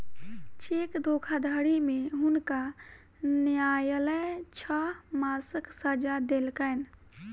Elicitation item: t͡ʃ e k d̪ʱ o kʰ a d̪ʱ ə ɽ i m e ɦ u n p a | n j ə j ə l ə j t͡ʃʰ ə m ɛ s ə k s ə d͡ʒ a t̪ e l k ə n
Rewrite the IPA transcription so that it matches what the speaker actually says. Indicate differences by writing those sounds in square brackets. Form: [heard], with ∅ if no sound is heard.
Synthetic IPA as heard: t͡ʃ e k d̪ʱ o kʰ a d̪ʱ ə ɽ i m e ɦ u n [k] a | n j [a] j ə l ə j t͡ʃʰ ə m [a] s ə k s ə d͡ʒ a [d̪] e l k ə n

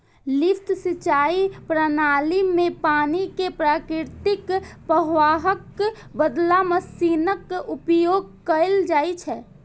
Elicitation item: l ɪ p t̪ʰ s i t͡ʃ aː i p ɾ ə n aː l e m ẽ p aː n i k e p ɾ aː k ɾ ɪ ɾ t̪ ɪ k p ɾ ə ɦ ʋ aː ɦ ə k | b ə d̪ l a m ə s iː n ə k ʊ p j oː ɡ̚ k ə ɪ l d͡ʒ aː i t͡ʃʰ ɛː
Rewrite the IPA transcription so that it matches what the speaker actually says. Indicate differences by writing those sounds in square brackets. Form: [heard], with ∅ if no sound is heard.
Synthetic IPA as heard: l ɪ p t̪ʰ s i t͡ʃ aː i p ɾ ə n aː l [i] m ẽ p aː n i k e p ɾ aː k ɾ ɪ ɾ t̪ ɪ k p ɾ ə ɦ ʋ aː ɦ ə k | b ə d̪ l a m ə s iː n ə k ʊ p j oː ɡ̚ k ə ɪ l d͡ʒ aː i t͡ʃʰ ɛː

